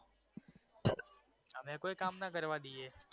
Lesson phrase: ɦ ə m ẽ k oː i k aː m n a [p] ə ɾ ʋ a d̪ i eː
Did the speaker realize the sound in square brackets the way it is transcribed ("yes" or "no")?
no